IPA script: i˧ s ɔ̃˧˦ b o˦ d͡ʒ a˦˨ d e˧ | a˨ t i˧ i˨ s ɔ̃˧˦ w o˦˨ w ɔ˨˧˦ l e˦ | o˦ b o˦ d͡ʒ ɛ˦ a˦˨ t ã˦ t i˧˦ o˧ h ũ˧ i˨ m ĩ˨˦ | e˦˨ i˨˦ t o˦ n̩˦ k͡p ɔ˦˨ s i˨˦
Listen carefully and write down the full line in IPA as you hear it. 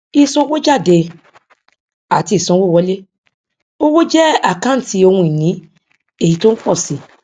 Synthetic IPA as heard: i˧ s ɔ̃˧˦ w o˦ d͡ʒ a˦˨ d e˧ | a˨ t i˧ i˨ s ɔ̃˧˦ w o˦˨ w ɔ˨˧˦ l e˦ | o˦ w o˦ d͡ʒ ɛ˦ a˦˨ k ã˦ t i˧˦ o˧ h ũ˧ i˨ n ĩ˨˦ | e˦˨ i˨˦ t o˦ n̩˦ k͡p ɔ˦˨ s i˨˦